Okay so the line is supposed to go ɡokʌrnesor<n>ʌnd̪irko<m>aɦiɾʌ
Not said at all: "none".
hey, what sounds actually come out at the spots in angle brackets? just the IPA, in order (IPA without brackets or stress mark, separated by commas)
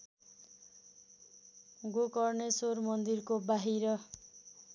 m, b